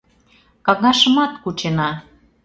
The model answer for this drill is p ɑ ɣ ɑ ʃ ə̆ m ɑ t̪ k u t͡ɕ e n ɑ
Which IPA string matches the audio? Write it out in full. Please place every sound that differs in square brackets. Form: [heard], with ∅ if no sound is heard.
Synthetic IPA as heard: [k] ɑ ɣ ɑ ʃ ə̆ m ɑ t̪ k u t͡ɕ e n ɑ